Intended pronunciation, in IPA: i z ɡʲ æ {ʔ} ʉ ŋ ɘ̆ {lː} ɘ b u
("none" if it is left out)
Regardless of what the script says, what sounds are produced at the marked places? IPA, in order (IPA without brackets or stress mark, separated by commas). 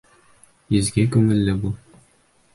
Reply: k, lː